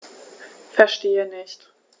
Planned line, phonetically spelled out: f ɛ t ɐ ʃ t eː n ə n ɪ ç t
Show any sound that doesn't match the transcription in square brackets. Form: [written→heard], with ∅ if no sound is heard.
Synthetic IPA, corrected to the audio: f ɛ [t→∅] ɐ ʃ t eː [n→∅] ə n ɪ ç t